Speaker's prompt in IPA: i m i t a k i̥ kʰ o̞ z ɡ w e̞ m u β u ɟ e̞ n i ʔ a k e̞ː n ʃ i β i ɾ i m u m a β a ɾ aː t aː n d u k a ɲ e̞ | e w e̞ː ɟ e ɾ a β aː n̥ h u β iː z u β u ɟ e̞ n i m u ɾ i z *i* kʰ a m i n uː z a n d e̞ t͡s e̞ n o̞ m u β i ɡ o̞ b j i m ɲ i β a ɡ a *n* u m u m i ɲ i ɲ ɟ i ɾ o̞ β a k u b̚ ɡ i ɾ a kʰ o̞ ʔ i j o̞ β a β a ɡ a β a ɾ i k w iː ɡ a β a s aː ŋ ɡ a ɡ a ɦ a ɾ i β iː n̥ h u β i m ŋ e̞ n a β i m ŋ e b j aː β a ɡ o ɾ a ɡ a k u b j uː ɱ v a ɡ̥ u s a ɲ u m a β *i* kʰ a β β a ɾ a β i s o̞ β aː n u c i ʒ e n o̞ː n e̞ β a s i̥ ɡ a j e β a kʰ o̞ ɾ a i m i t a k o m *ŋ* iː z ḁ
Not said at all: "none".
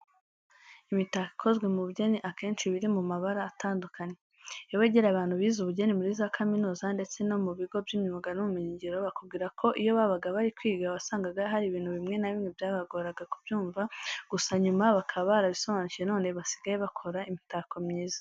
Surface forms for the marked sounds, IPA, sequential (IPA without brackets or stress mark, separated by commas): a, n, a, ɲ